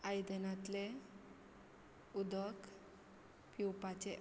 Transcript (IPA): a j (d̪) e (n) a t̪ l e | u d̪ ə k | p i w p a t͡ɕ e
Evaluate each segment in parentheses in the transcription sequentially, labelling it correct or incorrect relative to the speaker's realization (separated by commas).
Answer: correct, correct